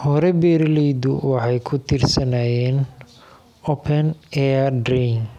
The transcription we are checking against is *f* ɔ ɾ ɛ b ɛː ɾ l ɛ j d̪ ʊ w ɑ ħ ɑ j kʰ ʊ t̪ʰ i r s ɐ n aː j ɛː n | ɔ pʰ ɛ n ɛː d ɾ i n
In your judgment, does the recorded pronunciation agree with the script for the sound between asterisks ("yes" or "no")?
no